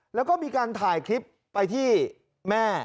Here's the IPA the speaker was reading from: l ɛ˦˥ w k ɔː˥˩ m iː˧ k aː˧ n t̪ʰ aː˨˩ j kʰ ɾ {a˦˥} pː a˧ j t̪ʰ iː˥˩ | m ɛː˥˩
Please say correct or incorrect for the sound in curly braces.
incorrect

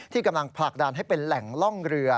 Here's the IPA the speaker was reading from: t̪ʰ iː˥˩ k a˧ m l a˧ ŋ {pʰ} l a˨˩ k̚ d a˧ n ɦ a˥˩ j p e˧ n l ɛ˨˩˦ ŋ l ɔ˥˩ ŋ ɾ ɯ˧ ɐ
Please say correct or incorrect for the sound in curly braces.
correct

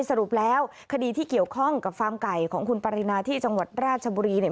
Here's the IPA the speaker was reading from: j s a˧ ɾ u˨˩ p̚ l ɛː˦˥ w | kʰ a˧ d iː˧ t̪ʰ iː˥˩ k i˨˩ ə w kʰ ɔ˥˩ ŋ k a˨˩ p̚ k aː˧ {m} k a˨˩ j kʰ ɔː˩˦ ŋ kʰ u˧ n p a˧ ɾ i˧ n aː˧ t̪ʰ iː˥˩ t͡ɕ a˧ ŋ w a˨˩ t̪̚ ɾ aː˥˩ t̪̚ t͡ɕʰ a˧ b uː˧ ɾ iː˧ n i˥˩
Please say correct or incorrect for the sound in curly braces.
correct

